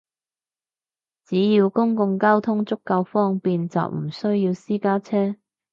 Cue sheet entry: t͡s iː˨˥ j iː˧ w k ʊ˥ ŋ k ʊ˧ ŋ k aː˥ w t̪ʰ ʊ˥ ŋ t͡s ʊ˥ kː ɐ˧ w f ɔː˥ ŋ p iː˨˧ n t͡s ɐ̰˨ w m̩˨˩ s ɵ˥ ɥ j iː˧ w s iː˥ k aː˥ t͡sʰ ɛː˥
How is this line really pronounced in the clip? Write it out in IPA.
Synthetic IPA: t͡s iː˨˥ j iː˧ w k ʊ˥ ŋ k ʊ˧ ŋ k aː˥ w t̪ʰ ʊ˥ ŋ t͡s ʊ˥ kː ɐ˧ w f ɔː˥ ŋ p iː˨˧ n t͡s ɐ̰˨ w m̩˨˩ s ɵ˥ ɥ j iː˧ w s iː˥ k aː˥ t͡sʰ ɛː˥

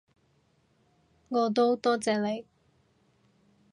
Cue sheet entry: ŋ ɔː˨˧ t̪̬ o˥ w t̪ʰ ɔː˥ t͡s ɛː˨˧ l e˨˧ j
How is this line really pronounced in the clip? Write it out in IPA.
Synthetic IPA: ŋ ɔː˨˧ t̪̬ o˥ w t̪ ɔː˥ t͡s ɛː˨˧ l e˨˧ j

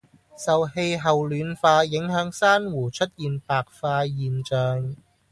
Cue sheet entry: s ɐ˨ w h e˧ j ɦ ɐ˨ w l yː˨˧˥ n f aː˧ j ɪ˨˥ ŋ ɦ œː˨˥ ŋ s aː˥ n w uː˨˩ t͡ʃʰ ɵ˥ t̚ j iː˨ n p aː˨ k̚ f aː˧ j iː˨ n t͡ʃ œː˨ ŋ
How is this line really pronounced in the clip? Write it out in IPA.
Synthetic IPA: s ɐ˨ w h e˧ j ɦ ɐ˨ w l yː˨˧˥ n f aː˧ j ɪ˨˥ ŋ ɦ œː˨˥ ŋ s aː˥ n w uː˨˩ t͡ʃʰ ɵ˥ t̚ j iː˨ n p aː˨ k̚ f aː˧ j iː˨ n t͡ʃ œː˨ ŋ

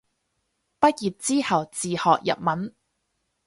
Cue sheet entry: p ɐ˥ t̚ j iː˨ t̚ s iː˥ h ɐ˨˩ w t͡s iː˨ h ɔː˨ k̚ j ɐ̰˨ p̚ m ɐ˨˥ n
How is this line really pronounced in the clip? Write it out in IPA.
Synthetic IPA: p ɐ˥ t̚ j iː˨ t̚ t͡s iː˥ h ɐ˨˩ w t͡s iː˨ h ɔː˨ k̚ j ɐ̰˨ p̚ m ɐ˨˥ n

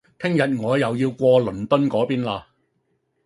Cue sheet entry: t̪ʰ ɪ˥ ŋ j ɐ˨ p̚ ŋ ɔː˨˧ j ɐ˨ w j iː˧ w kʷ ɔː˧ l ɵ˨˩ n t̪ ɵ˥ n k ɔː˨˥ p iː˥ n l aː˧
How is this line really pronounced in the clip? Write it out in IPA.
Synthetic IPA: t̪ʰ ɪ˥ ŋ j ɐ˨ t̚ ŋ ɔː˨˧ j ɐ˨ w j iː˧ w kʷ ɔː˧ l ɵ˨˩ n t̪ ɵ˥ n k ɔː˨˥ p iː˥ n l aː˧

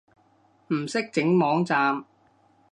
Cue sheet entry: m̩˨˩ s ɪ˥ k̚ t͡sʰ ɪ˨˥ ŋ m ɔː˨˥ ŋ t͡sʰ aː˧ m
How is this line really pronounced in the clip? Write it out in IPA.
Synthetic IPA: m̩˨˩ s ɪ˥ k̚ t͡s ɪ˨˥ ŋ m ɔː˨˥ ŋ t͡s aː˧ m

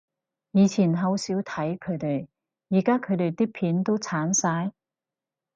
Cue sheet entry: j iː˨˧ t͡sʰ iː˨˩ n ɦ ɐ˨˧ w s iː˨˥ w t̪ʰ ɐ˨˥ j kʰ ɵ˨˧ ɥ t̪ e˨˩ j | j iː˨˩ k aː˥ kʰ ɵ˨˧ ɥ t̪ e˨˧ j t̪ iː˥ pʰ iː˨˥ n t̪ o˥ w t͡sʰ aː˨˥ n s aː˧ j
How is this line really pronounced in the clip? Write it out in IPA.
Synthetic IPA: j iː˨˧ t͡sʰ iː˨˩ n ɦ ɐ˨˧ w s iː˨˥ w t̪ʰ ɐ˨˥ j kʰ ɵ˨˧ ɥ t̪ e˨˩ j | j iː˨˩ k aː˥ kʰ ɵ˨˧ ɥ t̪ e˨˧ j t̪ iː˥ pʰ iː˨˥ n t̪ o˥ w t͡sʰ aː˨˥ n s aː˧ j

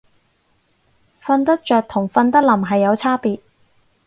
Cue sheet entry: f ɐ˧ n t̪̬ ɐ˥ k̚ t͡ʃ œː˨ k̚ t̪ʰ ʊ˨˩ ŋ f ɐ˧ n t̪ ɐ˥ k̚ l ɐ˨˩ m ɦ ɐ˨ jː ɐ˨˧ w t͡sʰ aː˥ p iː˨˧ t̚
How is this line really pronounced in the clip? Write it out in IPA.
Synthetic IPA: f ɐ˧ n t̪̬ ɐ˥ k̚ t͡ʃ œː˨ k̚ t̪ʰ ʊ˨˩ ŋ f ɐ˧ n t̪ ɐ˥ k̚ l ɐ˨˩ m ɦ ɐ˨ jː ɐ˨˧ w t͡sʰ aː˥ p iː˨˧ t̚

